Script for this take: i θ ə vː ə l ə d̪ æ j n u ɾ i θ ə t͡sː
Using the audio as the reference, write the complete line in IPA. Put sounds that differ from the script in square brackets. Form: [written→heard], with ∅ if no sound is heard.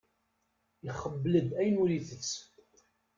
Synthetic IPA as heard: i [θ→χ] ə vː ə l ə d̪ æ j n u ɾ i θ ə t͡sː